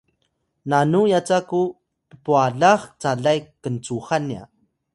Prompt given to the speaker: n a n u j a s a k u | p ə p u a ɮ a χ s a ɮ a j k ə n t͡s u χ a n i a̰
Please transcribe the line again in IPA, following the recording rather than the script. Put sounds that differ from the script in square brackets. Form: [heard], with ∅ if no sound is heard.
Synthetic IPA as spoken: n a n u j a [t͡s] a k u | p ə p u a ɮ a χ [t͡s] a ɮ a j k ə n t͡s u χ a n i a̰